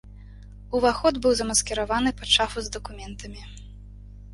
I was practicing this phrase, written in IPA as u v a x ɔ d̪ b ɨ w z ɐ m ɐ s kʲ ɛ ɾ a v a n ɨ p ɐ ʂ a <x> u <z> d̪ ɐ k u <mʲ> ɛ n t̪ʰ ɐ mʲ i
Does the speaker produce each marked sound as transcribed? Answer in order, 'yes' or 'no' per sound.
no, yes, yes

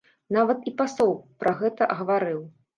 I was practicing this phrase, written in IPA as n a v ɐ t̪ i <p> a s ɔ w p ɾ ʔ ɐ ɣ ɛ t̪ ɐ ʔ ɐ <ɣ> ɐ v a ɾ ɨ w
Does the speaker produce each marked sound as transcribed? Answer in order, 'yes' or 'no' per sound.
yes, yes

